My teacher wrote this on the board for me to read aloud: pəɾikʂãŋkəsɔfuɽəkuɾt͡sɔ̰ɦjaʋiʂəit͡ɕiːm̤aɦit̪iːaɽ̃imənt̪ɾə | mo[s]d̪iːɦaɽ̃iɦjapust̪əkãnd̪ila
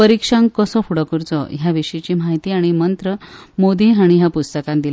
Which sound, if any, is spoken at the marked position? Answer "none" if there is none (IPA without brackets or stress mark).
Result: none